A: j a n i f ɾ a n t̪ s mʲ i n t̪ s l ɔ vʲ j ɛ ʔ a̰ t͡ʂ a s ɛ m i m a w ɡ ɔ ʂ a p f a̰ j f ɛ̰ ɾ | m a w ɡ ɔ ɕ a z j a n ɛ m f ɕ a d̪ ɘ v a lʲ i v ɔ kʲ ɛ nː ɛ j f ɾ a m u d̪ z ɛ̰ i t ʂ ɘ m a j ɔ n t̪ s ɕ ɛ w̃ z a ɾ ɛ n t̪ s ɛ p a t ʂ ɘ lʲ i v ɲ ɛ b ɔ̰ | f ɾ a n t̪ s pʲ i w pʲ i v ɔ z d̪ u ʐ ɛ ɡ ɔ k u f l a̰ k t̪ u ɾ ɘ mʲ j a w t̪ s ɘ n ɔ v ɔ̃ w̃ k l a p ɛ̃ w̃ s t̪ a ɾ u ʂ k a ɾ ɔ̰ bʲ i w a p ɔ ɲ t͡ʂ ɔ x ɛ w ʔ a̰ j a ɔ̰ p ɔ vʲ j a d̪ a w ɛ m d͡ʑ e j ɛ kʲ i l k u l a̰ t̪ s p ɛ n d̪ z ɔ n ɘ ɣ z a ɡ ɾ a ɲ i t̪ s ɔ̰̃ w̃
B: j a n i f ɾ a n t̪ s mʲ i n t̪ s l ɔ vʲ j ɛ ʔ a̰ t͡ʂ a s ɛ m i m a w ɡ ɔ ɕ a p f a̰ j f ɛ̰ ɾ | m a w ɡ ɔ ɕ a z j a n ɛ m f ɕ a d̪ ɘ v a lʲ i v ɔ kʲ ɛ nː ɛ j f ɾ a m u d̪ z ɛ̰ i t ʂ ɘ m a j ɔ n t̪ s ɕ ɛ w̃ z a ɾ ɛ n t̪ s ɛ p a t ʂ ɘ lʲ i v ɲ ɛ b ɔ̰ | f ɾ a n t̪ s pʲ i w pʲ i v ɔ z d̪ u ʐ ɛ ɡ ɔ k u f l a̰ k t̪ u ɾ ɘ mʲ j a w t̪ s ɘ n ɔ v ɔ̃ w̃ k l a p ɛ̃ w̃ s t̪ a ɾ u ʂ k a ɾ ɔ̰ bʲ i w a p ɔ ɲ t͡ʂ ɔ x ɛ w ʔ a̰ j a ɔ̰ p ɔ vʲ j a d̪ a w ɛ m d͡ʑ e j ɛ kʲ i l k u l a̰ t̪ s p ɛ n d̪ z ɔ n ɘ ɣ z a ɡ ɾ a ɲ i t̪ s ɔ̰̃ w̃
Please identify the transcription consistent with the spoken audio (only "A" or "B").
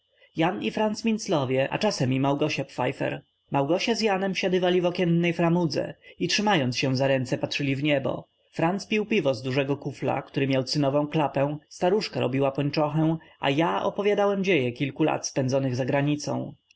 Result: B